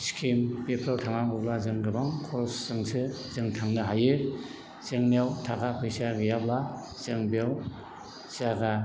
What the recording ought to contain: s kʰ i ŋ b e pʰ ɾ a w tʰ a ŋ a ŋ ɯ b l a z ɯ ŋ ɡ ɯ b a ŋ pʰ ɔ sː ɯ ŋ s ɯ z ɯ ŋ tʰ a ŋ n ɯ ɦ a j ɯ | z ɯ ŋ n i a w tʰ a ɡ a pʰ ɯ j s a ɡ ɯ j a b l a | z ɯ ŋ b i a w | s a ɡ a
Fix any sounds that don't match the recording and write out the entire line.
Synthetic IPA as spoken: s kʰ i m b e pʰ ɾ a w tʰ a ŋ a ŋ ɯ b l a z ɯ ŋ ɡ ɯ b a ŋ kʰ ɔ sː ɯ ŋ s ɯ z ɯ ŋ tʰ a ŋ n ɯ ɦ a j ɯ | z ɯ ŋ n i a w tʰ a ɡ a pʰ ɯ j s a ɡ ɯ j a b l a | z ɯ ŋ b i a w | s a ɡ a